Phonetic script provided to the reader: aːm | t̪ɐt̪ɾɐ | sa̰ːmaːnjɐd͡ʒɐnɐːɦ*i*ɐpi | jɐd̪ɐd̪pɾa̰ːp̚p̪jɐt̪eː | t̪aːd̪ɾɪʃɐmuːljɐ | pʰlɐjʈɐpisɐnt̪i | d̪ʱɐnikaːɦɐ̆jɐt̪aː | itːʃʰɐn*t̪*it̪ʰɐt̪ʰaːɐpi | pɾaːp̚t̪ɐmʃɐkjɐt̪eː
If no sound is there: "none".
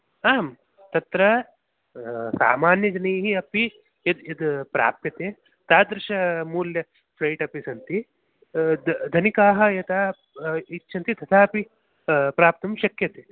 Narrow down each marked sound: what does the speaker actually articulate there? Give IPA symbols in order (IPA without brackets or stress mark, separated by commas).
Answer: i, t̪